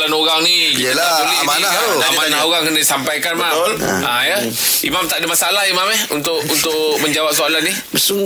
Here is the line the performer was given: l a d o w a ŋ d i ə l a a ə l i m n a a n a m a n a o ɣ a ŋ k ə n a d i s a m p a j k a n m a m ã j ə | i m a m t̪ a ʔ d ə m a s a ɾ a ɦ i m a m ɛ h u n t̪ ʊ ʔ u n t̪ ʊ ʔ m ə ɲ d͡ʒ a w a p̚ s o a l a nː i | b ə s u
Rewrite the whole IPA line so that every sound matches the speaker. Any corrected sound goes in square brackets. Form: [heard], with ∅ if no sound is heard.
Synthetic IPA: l a [n] o [ɣ] a ŋ [n] i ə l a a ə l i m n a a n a m a n a o ɣ a ŋ k ə n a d i s a m p a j k a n m a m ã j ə | i m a m t̪ a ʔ d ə m a s a [l] a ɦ i m a m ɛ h u n t̪ ʊ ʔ u n t̪ ʊ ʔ m ə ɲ d͡ʒ a w a p̚ s o a l a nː i | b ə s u